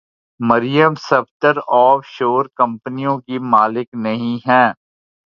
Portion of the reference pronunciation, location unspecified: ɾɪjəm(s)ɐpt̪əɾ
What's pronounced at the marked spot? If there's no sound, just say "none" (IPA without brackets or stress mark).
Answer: s